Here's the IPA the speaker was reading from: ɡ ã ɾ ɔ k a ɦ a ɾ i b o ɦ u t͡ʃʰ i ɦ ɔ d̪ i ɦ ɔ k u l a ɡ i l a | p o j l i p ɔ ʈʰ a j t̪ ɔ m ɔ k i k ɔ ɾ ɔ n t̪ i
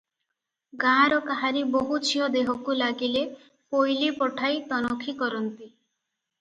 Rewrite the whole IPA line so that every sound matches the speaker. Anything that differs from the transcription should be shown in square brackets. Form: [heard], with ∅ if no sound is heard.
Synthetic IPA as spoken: ɡ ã ɾ ɔ k a ɦ a ɾ i b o ɦ u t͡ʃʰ i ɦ ɔ d̪ [e] ɦ ɔ k u l a ɡ i l [e] | p o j l i p ɔ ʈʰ a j t̪ ɔ [n] ɔ [kʰ] i k ɔ ɾ ɔ n t̪ i